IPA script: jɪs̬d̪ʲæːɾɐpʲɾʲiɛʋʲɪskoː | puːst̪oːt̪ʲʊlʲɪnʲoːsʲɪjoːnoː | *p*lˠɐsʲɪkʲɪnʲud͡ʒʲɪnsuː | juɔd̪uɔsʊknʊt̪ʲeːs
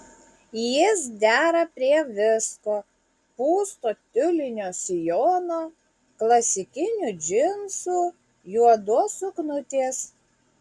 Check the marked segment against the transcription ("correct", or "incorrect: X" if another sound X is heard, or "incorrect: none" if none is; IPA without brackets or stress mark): incorrect: k